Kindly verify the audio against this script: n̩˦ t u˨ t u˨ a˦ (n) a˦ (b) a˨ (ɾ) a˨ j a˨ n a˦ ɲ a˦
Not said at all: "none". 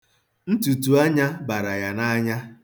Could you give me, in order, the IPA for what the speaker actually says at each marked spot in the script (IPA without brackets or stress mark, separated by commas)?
ɲ, b, ɾ